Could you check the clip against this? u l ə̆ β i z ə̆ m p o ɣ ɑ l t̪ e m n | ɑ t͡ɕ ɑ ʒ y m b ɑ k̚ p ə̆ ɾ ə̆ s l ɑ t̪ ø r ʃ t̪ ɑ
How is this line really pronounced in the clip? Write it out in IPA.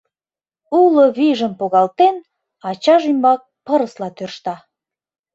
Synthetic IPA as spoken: u l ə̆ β i ʒ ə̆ m p o ɣ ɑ l t̪ e n | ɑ t͡ɕ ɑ ʒ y m b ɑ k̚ p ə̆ ɾ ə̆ s l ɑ t̪ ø r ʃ t̪ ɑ